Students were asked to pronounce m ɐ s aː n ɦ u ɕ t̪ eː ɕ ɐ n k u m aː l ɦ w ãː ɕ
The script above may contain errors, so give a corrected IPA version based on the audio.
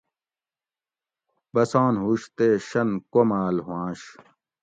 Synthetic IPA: b ɐ s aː n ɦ u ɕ t̪ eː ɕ ɐ n k o m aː l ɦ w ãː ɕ